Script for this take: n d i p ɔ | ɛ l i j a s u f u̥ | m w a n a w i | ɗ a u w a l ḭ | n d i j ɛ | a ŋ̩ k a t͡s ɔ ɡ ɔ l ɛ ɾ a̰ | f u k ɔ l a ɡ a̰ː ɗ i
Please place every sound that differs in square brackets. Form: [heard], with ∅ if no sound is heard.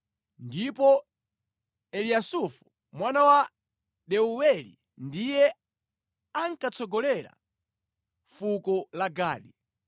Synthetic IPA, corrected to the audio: n d i p ɔ | ɛ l i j a s u f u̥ | m w a n a w [a] | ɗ [ɛ] u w [ɛ] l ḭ | n d i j ɛ | a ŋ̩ k a t͡s ɔ ɡ ɔ l ɛ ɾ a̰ | f u k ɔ l a ɡ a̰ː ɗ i